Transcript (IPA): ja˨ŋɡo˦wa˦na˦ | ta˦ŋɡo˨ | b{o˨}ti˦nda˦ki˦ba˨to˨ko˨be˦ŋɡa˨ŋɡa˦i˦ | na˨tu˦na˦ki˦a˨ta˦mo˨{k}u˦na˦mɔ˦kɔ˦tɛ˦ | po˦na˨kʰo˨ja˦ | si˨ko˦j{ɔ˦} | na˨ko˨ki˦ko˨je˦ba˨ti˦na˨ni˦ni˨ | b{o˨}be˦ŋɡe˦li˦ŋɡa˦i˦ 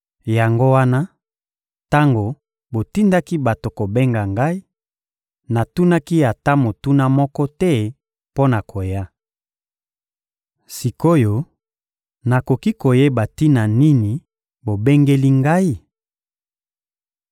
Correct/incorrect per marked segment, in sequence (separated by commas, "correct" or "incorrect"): correct, incorrect, incorrect, correct